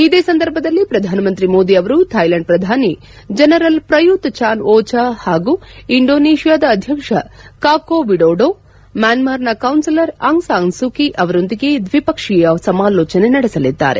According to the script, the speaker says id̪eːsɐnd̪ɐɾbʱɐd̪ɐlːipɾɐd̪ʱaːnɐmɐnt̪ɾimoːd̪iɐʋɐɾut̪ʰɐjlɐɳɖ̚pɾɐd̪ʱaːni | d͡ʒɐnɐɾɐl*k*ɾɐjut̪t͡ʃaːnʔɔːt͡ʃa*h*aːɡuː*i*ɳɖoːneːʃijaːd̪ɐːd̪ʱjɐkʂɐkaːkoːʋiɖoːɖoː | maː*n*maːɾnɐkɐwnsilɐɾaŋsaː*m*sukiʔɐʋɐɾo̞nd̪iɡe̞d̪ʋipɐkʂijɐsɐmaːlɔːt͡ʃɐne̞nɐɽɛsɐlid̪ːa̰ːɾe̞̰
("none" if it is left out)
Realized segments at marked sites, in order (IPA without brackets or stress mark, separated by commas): p, h, i, n, ŋ